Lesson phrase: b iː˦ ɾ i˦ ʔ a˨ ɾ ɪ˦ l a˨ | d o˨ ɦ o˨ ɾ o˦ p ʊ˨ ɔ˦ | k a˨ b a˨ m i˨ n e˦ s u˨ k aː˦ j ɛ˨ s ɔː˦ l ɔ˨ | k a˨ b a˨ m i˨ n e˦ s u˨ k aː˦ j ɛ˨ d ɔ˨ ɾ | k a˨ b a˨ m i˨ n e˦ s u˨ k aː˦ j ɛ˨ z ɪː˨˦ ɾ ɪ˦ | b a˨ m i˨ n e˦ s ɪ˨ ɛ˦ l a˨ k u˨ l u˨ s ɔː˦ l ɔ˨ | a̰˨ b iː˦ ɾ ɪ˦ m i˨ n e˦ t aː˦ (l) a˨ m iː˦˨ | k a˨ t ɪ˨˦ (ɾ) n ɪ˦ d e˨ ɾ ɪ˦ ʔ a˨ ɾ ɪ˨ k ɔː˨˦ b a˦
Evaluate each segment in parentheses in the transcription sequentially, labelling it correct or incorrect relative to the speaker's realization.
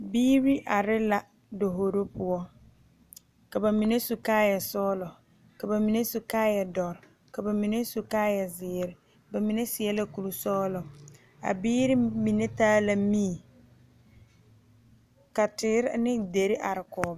correct, correct

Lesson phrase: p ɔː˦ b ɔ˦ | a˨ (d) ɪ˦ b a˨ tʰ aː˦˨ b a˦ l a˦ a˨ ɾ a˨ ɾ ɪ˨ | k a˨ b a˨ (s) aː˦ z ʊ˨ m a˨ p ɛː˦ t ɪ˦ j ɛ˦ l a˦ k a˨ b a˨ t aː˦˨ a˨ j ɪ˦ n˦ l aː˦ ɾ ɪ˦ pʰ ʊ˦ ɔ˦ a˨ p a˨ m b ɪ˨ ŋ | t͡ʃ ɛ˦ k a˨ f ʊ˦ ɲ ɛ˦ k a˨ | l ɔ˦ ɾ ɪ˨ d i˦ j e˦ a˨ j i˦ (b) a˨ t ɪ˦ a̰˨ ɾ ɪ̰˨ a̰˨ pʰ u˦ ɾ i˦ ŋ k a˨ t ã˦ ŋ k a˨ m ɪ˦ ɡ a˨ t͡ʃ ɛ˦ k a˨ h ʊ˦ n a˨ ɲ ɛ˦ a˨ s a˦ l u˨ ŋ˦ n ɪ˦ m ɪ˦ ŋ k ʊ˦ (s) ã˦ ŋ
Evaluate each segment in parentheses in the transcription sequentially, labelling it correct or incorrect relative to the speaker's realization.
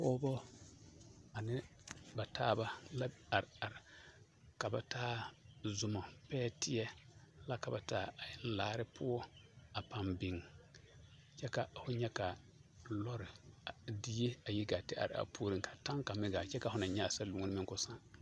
incorrect: n, incorrect: t, incorrect: ɡ, correct

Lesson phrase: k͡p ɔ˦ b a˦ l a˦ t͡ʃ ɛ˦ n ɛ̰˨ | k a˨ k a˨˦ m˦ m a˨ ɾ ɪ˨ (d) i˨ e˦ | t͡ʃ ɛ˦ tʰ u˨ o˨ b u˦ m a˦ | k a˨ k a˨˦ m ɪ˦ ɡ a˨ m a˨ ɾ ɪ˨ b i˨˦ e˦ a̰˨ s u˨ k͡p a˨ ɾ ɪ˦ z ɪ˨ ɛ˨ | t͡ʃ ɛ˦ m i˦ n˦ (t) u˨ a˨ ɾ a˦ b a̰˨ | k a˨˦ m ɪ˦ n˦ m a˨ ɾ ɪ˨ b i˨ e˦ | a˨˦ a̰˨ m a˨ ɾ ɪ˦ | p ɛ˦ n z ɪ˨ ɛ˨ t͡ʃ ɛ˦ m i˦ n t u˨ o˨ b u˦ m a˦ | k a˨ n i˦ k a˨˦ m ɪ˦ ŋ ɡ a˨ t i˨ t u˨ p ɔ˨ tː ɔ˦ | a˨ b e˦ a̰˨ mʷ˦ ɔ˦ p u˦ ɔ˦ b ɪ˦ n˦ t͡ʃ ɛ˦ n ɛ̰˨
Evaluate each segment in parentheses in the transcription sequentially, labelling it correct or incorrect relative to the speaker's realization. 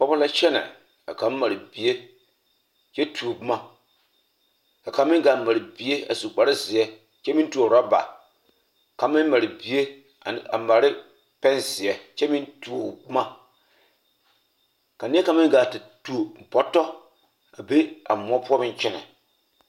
incorrect: b, correct

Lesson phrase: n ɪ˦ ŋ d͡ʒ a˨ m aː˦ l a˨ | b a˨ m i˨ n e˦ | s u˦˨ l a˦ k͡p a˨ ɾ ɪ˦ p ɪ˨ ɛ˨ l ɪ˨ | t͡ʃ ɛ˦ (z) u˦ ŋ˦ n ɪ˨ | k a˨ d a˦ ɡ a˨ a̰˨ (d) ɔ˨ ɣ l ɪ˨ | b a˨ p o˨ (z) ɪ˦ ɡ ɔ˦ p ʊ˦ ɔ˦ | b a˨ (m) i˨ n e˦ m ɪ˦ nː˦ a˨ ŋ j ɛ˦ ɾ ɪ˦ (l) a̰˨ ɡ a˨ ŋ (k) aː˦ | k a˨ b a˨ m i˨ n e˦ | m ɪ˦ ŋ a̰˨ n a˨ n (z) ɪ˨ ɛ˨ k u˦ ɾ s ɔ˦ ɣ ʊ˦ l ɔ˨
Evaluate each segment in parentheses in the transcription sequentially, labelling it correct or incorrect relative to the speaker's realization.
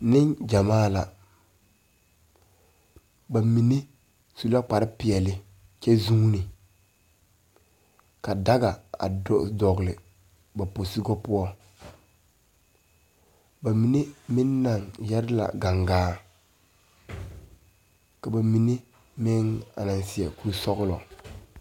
correct, correct, incorrect: s, correct, correct, incorrect: ɡ, incorrect: s

